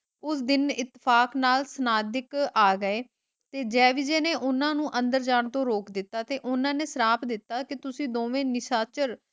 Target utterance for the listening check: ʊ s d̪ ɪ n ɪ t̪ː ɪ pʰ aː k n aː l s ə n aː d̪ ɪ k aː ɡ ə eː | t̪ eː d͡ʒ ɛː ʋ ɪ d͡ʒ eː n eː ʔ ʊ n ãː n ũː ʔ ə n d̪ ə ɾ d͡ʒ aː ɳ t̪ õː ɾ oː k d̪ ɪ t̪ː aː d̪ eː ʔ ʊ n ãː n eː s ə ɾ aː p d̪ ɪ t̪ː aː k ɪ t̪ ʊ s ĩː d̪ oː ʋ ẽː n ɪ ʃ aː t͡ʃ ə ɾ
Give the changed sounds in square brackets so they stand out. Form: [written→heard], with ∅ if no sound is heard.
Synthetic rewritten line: ʊ s d̪ ɪ n ɪ t̪ː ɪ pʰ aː k n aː l s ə n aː d̪ ɪ k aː ɡ ə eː | t̪ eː d͡ʒ ɛː ʋ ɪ d͡ʒ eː n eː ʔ ʊ n ãː n ũː ʔ ə n d̪ ə ɾ d͡ʒ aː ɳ t̪ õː ɾ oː k d̪ ɪ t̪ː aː [d̪→t̪] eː ʔ ʊ n ãː n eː s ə ɾ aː p d̪ ɪ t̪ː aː k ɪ t̪ ʊ s ĩː d̪ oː ʋ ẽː n ɪ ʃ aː t͡ʃ ə ɾ

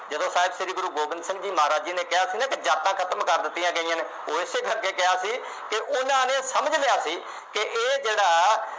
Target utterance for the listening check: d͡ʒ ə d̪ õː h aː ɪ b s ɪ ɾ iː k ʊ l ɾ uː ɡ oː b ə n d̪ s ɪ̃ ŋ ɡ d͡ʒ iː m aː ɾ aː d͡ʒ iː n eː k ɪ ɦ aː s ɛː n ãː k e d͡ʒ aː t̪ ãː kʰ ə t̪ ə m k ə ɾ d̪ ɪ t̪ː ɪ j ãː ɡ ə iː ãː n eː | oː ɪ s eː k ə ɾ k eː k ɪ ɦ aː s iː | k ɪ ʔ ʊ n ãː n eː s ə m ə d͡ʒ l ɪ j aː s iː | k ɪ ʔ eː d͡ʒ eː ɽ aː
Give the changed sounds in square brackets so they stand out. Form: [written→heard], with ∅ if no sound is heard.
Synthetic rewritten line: d͡ʒ ə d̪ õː [h→s] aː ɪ b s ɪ ɾ iː [k→ɡ] ʊ [l→∅] ɾ uː ɡ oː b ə n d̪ s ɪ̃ ŋ ɡ d͡ʒ iː m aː ɾ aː d͡ʒ iː n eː k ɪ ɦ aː s [ɛː→iː] n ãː k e d͡ʒ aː t̪ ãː kʰ ə t̪ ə m k ə ɾ d̪ ɪ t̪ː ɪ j ãː ɡ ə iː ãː n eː | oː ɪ s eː k ə ɾ k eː k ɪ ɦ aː s iː | k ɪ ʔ ʊ n ãː n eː s ə m ə d͡ʒ l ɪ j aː s iː | k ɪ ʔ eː d͡ʒ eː ɽ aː

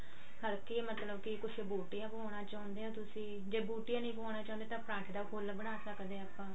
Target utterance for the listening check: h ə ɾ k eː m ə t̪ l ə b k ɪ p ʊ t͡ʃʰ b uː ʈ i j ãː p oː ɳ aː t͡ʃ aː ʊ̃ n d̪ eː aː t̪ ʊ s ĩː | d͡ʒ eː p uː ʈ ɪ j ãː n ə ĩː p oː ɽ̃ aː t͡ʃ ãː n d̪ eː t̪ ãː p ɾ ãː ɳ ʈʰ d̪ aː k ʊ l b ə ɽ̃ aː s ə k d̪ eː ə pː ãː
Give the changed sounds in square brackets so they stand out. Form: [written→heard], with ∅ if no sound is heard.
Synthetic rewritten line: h ə ɾ k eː m ə t̪ l ə b k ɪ [p→k] ʊ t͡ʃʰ b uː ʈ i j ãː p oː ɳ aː t͡ʃ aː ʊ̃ n d̪ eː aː t̪ ʊ s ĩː | d͡ʒ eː [p→b] uː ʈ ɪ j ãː n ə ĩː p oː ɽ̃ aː t͡ʃ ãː n d̪ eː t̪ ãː p ɾ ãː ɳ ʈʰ d̪ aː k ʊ l b ə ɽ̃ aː s ə k d̪ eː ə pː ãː

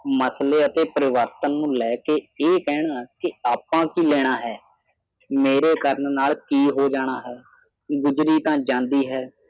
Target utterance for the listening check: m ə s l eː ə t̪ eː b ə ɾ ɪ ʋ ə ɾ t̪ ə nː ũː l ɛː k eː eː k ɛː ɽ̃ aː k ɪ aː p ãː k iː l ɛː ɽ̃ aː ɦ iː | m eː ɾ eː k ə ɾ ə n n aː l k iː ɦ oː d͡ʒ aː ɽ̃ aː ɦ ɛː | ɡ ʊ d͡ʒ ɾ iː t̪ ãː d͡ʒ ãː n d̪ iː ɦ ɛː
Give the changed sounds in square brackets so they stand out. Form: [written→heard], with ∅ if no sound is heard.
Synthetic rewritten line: m ə s l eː ə t̪ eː [b→p] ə ɾ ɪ ʋ ə ɾ t̪ ə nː ũː l ɛː k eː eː k ɛː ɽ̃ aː k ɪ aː p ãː k iː l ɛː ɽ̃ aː ɦ [iː→ɛː] | m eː ɾ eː k ə ɾ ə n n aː l k iː ɦ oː d͡ʒ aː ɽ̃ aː ɦ ɛː | ɡ ʊ d͡ʒ ɾ iː t̪ ãː d͡ʒ ãː n d̪ iː ɦ ɛː

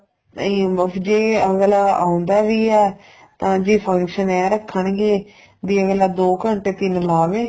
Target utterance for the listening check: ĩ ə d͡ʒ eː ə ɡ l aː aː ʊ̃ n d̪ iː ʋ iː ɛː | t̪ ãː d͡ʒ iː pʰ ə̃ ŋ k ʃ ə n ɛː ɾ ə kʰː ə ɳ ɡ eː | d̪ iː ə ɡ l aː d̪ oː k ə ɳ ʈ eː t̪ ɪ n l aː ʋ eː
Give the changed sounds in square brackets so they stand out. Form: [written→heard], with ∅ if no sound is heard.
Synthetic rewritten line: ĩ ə d͡ʒ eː ə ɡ l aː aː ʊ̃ n d̪ [iː→aː] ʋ iː ɛː | t̪ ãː d͡ʒ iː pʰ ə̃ ŋ k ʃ ə n ɛː ɾ ə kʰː ə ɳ ɡ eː | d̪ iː ə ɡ l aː d̪ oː k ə ɳ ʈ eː t̪ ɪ n l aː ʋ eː

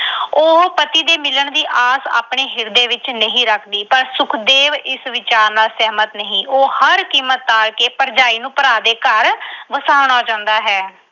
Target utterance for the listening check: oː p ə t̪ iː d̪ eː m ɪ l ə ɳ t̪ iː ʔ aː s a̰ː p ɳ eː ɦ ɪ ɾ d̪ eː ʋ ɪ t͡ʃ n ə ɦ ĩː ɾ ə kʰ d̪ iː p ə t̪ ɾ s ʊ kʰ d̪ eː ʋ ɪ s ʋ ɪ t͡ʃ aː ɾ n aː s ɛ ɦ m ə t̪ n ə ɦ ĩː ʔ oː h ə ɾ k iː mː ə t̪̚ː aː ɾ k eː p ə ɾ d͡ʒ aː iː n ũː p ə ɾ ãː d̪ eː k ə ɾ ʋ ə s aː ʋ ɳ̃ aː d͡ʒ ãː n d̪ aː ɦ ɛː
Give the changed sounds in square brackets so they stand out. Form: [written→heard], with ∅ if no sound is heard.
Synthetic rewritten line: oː p ə t̪ iː d̪ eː m ɪ l ə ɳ [t̪→d̪] iː ʔ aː s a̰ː p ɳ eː ɦ ɪ ɾ d̪ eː ʋ ɪ t͡ʃ n ə ɦ ĩː ɾ ə kʰ d̪ iː p ə [t̪→∅] ɾ s ʊ kʰ d̪ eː ʋ ɪ s ʋ ɪ t͡ʃ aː ɾ n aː s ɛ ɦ m ə t̪ n ə ɦ ĩː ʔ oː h ə ɾ k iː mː ə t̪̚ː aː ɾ k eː p ə ɾ d͡ʒ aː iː n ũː p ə ɾ [ãː→aː] d̪ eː k ə ɾ ʋ ə s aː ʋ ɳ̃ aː d͡ʒ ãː n d̪ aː ɦ ɛː

